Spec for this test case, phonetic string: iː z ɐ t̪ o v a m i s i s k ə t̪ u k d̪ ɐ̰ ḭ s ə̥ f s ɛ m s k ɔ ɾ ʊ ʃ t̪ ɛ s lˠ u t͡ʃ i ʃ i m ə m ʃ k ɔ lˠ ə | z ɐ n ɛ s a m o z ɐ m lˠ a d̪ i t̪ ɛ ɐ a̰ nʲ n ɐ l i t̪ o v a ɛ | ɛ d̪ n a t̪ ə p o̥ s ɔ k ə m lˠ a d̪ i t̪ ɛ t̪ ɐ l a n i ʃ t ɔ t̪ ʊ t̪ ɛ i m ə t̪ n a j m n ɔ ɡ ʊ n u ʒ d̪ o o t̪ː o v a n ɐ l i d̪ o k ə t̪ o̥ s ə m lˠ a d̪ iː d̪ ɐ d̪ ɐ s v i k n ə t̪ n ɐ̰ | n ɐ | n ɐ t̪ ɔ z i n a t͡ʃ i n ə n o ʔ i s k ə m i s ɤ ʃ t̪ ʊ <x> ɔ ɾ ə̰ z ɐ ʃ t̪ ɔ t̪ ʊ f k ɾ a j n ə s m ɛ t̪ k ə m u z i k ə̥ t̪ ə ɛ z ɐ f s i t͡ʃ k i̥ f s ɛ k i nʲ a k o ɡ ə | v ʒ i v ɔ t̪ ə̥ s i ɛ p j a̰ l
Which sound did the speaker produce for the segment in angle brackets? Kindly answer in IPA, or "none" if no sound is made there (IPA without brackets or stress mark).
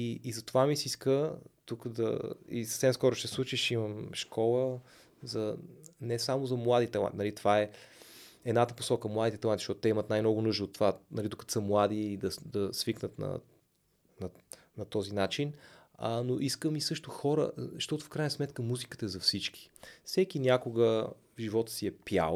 x